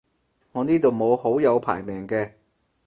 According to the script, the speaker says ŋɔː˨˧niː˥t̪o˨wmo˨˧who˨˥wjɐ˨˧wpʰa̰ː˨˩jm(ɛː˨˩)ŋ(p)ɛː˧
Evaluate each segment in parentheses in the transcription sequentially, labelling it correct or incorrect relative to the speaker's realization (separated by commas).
correct, incorrect